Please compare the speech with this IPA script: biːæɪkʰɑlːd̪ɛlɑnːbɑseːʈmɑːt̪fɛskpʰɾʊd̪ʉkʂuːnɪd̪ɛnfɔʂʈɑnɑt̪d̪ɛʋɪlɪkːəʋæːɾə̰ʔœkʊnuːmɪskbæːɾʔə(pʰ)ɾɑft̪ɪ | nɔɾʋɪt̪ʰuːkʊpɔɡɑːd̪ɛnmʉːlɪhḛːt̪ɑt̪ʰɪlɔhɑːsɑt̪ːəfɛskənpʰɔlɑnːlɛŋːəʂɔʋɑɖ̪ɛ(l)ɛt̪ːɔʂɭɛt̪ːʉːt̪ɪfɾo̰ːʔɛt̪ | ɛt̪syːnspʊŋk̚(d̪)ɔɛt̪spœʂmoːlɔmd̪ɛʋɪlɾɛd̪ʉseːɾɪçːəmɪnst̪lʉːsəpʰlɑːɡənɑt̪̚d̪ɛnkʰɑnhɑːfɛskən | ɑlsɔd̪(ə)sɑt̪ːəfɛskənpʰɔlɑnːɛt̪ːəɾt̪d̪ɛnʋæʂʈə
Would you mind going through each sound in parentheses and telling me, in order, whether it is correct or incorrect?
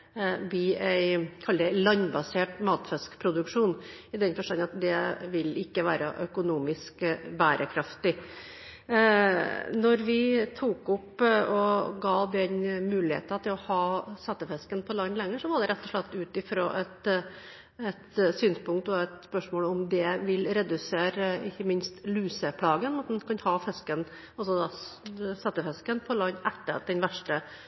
incorrect, incorrect, incorrect, incorrect

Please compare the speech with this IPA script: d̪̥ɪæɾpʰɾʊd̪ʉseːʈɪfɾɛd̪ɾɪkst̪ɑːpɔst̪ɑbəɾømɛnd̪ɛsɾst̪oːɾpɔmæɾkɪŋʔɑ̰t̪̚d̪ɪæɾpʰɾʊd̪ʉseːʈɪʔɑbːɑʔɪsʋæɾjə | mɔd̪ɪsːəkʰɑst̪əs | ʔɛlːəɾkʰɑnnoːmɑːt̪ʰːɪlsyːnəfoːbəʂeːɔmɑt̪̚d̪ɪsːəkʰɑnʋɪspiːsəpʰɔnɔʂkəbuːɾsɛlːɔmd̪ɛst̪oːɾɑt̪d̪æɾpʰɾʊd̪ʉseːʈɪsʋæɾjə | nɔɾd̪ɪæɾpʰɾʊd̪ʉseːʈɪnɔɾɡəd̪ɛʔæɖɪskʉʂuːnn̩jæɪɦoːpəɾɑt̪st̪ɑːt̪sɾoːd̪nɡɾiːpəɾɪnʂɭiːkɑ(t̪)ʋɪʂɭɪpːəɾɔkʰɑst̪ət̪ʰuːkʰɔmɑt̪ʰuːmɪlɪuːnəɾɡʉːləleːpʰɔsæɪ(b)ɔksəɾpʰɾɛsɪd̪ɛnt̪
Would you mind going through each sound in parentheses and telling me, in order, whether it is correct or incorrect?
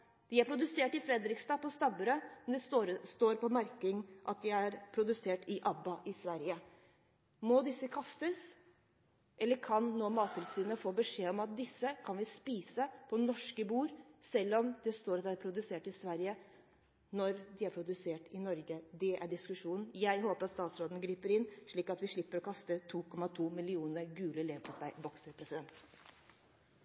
correct, correct

